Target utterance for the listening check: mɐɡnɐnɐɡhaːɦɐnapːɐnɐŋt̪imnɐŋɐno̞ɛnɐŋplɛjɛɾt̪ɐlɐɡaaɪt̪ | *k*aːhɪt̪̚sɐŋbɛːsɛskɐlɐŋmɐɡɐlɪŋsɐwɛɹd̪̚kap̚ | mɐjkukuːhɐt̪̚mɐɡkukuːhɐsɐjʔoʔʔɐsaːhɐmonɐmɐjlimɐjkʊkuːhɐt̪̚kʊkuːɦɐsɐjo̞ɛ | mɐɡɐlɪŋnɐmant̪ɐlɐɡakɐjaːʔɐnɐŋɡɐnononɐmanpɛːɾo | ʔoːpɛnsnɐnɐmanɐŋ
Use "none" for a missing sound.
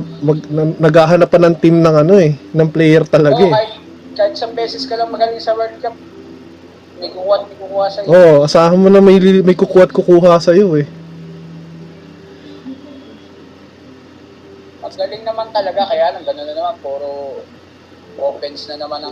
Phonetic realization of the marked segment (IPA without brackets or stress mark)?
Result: k